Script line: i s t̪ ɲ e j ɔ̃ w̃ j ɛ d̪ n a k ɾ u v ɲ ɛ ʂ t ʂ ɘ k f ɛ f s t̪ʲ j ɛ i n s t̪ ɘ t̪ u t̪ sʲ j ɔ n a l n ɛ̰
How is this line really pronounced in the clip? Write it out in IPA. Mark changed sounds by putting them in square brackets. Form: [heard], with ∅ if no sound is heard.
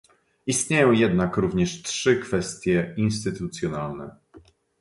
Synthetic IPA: i s t̪ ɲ e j ɔ̃ w̃ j ɛ d̪ n a k ɾ u v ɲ ɛ ʂ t ʂ ɘ k f ɛ [∅] s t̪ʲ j ɛ i n s t̪ ɘ t̪ u t̪ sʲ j ɔ n a l n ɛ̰